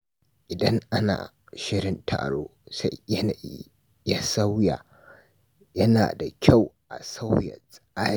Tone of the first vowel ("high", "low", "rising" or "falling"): low